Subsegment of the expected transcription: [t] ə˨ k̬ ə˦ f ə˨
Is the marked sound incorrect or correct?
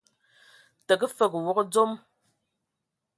correct